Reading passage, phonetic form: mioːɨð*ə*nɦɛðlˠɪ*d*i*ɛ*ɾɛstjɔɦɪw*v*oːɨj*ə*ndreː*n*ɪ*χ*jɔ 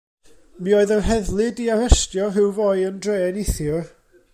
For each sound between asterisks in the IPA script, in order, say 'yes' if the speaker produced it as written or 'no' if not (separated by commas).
yes, yes, no, yes, yes, yes, no